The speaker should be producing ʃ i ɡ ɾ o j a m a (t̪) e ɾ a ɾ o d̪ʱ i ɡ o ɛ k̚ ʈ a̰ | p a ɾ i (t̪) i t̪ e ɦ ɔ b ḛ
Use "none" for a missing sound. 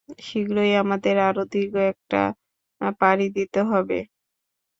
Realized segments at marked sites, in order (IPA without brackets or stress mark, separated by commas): d̪, d̪